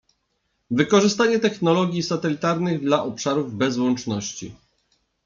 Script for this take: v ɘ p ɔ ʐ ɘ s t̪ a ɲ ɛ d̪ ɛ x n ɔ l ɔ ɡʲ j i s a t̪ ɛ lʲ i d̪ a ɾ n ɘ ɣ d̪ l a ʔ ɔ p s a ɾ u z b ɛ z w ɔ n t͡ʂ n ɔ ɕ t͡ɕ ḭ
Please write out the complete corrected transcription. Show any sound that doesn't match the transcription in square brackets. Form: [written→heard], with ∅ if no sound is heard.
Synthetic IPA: v ɘ [p→k] ɔ ʐ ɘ s t̪ a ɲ ɛ [d̪→t̪] ɛ x n ɔ l ɔ ɡʲ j i s a t̪ ɛ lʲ i [d̪→t̪] a ɾ n ɘ ɣ d̪ l a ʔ ɔ p [s→ʂ] a ɾ u [z→v] b ɛ z w ɔ n t͡ʂ n ɔ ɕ t͡ɕ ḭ